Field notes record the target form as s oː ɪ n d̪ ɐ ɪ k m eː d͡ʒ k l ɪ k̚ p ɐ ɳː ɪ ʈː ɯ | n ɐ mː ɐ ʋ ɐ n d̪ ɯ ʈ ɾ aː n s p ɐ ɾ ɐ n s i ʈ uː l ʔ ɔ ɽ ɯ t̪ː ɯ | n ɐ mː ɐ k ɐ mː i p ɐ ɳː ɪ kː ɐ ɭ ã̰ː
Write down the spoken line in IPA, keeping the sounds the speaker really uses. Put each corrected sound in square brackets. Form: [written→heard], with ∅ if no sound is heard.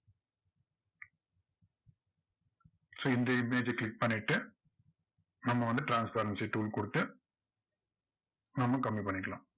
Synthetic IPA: s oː ɪ n d̪ ɐ ɪ [k→∅] m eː d͡ʒ k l ɪ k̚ p ɐ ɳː ɪ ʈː ɯ | n ɐ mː ɐ ʋ ɐ n d̪ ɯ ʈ ɾ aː n s p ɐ ɾ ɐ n s i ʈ uː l [ʔ→k] ɔ ɽ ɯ t̪ː ɯ | n ɐ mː ɐ k ɐ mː i p ɐ ɳː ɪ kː ɐ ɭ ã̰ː